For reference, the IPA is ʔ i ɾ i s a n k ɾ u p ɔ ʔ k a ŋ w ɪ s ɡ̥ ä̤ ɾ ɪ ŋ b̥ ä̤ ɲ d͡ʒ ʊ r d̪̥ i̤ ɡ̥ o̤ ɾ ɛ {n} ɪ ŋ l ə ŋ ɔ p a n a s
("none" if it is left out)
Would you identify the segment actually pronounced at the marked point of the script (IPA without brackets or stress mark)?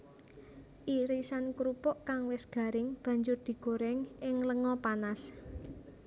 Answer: ŋ